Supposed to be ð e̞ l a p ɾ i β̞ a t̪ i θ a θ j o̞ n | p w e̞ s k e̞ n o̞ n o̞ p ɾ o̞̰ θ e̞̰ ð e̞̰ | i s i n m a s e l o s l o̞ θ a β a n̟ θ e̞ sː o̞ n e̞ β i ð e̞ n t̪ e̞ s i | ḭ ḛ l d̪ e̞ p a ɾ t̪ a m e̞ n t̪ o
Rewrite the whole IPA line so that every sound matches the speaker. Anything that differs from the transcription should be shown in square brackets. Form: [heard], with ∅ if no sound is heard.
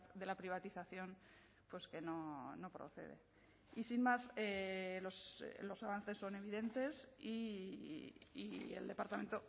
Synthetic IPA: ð e̞ l a p ɾ i β̞ a t̪ i θ a θ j o̞ n | p w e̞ s k e̞ n o̞ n o̞ p ɾ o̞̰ θ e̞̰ ð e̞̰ | i s i n m a s e l o s l o̞ [s] a β a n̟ θ e̞ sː o̞ n e̞ β i ð e̞ n t̪ e̞ s i | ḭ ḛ l d̪ e̞ p a ɾ t̪ a m e̞ n t̪ o